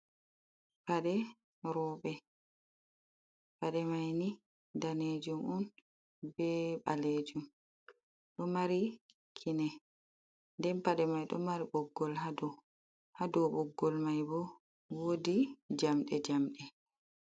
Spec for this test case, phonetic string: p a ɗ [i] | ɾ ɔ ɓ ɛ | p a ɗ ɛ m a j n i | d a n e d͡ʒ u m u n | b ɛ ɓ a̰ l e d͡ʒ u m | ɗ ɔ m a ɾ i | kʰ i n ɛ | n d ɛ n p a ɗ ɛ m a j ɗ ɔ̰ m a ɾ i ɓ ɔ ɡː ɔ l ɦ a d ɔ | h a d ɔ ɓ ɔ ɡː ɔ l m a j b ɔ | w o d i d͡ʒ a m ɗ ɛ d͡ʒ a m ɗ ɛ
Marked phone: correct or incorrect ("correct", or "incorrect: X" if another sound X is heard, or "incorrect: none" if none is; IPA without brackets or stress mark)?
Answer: incorrect: ɛ